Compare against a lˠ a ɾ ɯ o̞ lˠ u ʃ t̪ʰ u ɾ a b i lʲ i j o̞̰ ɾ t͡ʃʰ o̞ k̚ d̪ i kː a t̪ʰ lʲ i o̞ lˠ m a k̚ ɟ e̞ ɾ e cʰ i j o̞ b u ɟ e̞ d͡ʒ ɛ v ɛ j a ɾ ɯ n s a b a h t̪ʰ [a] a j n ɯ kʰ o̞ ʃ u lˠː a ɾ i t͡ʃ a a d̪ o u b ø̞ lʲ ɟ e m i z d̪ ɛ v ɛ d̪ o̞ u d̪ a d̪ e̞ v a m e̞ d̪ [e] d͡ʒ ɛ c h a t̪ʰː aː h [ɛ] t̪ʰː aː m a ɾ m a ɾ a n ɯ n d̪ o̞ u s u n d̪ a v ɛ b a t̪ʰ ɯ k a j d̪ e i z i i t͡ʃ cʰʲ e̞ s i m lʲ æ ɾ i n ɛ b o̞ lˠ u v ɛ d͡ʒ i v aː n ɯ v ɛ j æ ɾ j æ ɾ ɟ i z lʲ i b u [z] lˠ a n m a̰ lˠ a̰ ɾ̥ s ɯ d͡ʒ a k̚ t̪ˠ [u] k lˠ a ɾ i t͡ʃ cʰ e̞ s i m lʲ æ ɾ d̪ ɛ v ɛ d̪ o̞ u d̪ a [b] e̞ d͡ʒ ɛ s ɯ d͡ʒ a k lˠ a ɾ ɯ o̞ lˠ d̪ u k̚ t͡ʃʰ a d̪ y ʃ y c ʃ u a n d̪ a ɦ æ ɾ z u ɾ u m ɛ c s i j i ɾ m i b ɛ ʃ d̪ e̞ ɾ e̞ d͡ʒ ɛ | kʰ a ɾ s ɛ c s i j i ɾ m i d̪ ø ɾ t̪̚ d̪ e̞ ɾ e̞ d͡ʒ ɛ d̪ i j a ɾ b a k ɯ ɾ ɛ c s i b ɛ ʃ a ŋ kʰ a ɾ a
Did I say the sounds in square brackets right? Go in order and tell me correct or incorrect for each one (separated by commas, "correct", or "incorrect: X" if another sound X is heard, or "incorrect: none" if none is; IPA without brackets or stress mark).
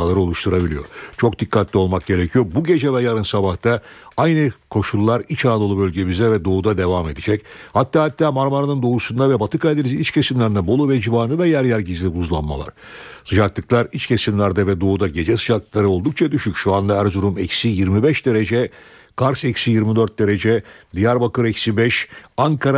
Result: correct, incorrect: i, incorrect: a, correct, incorrect: ɯ, incorrect: ɟ